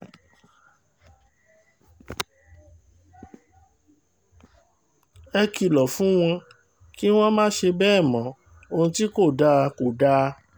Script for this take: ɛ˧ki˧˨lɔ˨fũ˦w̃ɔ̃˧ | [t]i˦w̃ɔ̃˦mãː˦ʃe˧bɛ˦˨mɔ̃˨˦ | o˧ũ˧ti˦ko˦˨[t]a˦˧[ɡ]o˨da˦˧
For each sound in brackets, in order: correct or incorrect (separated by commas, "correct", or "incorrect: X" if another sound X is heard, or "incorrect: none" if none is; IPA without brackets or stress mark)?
incorrect: k, incorrect: d, incorrect: k